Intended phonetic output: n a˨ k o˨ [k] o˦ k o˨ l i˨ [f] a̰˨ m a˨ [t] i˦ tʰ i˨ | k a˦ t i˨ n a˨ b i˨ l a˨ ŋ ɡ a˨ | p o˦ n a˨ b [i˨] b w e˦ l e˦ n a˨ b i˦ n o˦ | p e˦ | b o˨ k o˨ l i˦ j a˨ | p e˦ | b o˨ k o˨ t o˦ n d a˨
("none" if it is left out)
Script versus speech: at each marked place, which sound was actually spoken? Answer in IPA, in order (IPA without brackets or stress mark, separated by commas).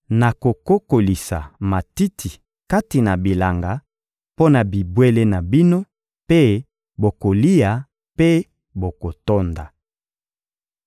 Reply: k, s, t, i˨